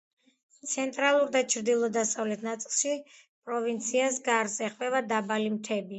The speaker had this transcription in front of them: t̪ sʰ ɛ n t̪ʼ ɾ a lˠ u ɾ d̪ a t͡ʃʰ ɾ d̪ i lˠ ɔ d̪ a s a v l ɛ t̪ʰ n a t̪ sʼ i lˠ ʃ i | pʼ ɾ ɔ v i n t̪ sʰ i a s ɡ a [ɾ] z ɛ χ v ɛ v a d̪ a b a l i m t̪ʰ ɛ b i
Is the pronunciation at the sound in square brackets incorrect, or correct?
correct